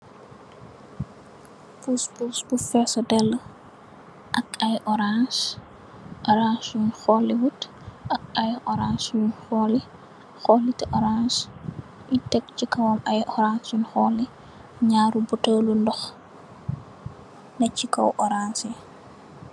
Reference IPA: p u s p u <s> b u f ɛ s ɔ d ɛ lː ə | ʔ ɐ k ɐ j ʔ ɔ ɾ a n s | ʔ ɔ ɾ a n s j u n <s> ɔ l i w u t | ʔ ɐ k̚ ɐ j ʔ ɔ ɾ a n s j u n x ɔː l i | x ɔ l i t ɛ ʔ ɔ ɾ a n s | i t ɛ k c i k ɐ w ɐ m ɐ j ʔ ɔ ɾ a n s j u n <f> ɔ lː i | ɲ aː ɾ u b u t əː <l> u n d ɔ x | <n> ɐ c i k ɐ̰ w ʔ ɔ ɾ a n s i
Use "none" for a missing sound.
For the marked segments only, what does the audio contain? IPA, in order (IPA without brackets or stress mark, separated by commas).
s, x, x, l, n